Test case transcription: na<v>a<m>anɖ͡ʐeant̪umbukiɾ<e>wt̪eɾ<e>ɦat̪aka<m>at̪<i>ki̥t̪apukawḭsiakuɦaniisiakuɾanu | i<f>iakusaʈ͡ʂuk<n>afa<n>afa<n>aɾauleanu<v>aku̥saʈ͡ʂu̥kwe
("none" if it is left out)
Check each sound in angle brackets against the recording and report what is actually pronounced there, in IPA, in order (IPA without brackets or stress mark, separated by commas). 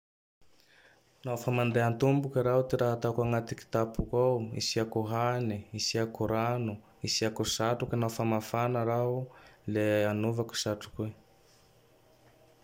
f, m, a, a, ŋ, i, s, n, m, n, v